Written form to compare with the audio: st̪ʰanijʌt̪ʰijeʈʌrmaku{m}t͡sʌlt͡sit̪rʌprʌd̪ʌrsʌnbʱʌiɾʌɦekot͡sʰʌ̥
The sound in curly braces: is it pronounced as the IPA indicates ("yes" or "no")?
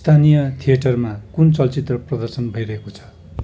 no